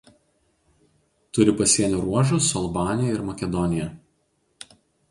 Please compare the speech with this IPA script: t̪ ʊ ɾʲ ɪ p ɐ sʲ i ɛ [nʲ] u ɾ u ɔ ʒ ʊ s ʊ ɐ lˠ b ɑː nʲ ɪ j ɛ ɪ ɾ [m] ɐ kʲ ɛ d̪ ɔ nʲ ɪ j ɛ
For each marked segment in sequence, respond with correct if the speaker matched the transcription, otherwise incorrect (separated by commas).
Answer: correct, correct